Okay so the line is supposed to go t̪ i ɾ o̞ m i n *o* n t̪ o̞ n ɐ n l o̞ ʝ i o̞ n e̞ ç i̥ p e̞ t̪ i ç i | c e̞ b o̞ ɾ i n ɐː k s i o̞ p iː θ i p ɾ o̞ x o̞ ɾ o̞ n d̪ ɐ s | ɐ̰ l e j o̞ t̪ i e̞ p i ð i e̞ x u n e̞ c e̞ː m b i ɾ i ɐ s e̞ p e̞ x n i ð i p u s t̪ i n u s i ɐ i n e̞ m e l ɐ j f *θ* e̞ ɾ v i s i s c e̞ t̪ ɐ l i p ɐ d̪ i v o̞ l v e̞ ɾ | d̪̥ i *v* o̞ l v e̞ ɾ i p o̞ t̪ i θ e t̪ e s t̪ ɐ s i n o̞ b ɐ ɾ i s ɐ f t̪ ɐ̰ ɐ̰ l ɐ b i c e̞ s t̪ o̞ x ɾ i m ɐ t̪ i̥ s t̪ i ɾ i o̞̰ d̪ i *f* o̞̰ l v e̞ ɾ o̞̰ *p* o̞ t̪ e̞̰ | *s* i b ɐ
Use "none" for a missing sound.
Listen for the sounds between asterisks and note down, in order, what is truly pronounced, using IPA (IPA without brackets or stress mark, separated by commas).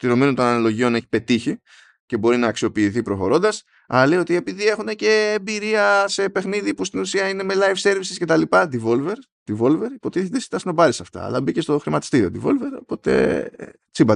u, s, v, v, p, t͡s